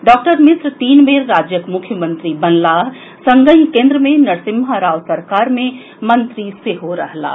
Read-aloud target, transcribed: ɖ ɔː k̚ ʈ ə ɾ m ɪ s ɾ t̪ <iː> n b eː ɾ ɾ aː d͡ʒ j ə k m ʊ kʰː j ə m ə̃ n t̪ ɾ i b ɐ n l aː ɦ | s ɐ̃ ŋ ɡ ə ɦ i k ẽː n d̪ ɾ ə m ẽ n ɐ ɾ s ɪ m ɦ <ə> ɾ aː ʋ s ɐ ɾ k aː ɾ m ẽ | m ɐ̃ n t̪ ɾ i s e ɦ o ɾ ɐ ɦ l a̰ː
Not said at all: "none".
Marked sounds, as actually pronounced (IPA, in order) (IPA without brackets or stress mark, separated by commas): iː, a